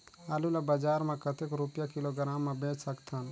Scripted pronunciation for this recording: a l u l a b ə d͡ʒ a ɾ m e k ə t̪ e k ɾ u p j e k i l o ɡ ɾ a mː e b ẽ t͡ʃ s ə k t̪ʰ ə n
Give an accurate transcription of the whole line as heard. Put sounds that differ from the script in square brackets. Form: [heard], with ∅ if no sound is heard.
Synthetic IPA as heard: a l u l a b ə d͡ʒ a ɾ m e k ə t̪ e k ɾ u p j [a] k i l o ɡ ɾ a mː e b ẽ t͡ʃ s ə k t̪ʰ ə n